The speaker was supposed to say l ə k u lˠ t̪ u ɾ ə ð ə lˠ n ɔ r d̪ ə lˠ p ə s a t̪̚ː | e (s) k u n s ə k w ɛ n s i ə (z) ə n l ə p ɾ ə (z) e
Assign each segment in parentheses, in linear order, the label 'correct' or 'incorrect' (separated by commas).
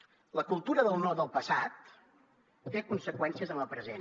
incorrect, correct, correct